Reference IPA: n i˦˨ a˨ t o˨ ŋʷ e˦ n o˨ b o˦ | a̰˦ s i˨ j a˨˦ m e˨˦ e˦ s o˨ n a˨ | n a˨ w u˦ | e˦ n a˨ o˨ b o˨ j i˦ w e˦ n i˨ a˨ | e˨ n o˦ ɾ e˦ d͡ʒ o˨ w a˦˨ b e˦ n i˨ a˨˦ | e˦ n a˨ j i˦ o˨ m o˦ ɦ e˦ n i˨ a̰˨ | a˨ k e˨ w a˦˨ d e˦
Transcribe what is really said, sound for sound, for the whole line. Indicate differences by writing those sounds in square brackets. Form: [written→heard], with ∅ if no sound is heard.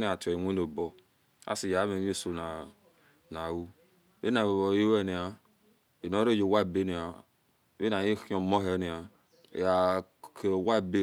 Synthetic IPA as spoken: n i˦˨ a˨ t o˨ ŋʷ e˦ n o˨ b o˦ | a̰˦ s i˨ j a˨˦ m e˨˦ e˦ s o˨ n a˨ | n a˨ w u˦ | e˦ n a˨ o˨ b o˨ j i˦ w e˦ n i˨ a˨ | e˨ n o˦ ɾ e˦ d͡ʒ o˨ w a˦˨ b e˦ n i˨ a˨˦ | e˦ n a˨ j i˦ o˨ m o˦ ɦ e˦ n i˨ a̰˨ | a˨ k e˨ w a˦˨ [d→b] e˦

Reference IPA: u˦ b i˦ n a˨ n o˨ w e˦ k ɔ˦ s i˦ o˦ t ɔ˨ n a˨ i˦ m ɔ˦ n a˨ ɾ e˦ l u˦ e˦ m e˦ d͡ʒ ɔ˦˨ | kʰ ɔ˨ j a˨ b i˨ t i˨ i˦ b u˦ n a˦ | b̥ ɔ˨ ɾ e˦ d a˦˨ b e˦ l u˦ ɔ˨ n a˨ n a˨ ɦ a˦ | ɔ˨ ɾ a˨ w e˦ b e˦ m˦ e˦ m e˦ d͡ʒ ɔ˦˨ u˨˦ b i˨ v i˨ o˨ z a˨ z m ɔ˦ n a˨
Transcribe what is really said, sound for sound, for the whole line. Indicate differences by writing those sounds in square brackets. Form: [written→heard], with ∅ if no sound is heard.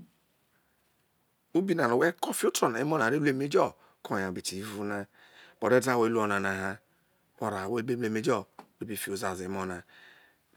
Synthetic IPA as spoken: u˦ b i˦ n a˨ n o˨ w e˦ k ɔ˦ [s→f] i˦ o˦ t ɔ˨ n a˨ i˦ m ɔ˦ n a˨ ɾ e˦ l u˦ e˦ m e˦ d͡ʒ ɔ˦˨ | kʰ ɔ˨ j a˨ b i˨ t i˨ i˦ [b→v] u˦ n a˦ | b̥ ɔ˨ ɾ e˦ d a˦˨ [b→w] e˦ l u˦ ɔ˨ n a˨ n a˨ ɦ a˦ | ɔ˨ ɾ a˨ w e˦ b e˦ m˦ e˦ m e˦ d͡ʒ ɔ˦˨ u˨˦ b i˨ [v→f] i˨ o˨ z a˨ z m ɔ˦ n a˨

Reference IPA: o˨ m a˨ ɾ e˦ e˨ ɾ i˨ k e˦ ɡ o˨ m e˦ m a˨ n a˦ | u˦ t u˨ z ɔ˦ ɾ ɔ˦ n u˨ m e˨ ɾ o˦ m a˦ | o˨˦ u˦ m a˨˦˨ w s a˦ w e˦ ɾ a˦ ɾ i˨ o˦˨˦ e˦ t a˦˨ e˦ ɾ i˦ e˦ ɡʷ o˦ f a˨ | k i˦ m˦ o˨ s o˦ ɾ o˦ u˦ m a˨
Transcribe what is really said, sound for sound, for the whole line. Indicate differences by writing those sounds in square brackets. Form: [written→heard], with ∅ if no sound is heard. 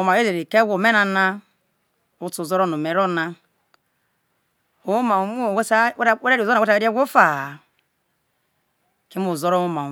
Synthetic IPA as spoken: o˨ m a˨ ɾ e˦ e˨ ɾ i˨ k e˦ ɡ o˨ m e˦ [m→n] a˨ n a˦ | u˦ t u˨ z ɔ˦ ɾ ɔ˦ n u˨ m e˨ ɾ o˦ [m→n] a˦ | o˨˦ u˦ m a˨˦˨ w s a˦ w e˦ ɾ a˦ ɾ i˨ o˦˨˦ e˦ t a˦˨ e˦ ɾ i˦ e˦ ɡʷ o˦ f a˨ | k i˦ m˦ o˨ [s→z] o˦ ɾ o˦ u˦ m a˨

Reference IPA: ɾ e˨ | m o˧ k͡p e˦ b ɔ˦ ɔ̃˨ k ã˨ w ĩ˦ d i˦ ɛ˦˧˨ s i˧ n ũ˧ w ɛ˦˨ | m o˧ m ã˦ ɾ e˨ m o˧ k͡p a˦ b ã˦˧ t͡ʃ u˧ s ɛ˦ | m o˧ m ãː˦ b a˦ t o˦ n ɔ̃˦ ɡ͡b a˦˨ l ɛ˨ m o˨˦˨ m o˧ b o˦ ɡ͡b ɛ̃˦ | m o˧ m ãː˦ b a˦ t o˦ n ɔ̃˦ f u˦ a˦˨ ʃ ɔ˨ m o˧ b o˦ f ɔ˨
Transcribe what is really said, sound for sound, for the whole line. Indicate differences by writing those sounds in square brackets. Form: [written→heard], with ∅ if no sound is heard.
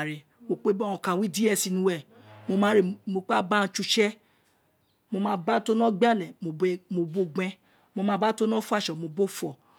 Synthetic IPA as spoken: ɾ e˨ | m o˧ k͡p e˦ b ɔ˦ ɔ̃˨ k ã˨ w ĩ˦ d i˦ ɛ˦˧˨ s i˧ n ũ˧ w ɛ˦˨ | m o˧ m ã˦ ɾ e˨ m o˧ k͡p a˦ b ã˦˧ t͡ʃ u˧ [s→ʃ] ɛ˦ | m o˧ m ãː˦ b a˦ t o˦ n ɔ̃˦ ɡ͡b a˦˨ l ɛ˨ m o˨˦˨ m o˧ b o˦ ɡ͡b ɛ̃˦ | m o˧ m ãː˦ b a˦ t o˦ n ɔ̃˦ f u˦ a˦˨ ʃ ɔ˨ m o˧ b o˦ f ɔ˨

